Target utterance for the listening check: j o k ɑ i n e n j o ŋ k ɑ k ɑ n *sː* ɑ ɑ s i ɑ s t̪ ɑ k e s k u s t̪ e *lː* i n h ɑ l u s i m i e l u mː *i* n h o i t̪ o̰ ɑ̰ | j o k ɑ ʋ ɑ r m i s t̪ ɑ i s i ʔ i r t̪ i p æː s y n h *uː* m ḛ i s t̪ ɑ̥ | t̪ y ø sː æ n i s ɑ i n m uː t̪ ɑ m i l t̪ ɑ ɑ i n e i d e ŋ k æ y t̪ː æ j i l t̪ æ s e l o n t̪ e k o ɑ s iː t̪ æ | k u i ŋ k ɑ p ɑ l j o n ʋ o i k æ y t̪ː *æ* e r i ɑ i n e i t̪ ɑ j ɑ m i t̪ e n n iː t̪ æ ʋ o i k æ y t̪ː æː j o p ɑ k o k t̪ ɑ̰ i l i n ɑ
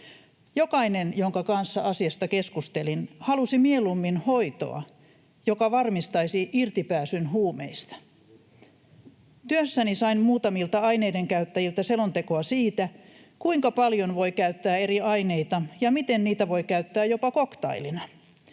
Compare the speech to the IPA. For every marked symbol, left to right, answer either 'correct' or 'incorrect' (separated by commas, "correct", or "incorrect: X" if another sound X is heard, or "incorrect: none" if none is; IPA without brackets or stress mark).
correct, incorrect: l, correct, correct, incorrect: æː